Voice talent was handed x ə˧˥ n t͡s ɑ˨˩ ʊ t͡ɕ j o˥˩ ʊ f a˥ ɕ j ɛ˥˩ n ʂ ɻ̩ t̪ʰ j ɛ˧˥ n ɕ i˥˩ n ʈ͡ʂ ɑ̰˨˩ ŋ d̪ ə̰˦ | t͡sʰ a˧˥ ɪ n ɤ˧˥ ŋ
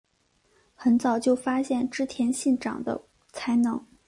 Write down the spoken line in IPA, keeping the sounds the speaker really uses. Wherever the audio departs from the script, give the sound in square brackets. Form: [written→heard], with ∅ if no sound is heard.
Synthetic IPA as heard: x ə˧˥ n t͡s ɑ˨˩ ʊ t͡ɕ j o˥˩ ʊ f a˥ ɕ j ɛ˥˩ n [ʂ→ʈ͡ʂ] ɻ̩ t̪ʰ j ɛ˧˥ n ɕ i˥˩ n ʈ͡ʂ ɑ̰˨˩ ŋ d̪ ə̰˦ | t͡sʰ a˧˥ ɪ n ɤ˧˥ ŋ